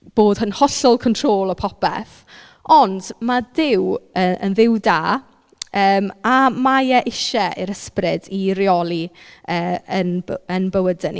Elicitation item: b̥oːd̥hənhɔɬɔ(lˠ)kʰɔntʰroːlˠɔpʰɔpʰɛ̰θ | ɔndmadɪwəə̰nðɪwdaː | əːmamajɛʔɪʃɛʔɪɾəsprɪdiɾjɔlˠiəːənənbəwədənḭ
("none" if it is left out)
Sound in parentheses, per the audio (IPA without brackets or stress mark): lˠ